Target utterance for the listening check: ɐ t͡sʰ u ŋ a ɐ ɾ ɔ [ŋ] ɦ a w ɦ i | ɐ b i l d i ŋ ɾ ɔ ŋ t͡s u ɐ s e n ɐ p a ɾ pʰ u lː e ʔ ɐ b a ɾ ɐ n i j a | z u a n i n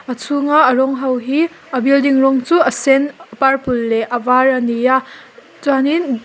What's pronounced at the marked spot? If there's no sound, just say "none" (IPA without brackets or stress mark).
ŋ